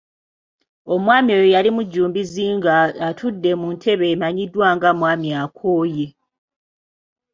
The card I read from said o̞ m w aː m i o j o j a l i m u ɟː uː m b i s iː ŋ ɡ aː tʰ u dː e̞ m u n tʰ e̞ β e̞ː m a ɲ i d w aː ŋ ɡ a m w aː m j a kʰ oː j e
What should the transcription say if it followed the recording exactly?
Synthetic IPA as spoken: o̞ m w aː m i o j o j a l i m u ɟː uː m b i z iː ŋ ɡ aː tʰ u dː e̞ m u n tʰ e̞ β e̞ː m a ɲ i d w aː ŋ ɡ a m w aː m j a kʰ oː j e